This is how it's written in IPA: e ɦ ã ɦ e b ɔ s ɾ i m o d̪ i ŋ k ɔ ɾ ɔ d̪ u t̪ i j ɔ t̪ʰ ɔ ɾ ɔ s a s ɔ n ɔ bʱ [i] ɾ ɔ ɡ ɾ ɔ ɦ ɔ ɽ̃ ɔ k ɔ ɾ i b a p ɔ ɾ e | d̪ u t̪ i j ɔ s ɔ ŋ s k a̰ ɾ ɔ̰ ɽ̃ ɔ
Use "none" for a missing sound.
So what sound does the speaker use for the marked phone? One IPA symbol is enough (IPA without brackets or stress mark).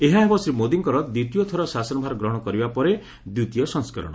a